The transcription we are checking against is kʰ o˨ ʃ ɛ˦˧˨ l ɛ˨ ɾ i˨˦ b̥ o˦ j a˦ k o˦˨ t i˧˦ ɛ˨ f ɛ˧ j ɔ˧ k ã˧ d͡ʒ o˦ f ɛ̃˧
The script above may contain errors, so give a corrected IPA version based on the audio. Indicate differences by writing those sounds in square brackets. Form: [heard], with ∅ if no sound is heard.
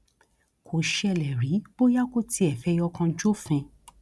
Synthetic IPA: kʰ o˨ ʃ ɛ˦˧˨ l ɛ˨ ɾ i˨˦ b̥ o˦ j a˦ k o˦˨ t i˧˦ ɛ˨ f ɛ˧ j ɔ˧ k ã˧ d͡ʒ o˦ f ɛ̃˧